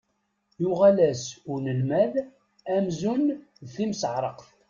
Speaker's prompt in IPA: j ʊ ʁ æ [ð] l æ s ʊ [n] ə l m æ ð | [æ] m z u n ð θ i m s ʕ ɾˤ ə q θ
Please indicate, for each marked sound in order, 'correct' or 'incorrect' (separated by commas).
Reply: incorrect, correct, correct